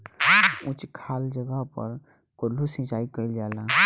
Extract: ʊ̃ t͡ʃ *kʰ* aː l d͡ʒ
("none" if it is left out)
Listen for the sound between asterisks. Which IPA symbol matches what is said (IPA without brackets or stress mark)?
kʰ